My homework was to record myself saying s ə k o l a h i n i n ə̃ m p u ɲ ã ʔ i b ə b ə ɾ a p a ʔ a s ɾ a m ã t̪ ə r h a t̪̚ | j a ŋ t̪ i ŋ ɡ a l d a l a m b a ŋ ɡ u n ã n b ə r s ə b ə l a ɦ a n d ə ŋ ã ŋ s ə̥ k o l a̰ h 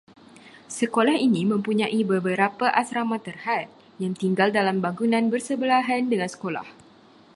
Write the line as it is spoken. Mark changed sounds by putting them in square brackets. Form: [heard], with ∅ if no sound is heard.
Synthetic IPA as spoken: s ə k o l a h i n i [m] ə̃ m p u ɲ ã ʔ i b ə b ə ɾ a p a ʔ a s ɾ a m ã t̪ ə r h a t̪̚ | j a ŋ t̪ i ŋ ɡ a l d a l a m b a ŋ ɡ u n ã n b ə r s ə b ə l a ɦ a n d ə ŋ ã [n] s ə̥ k o l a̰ h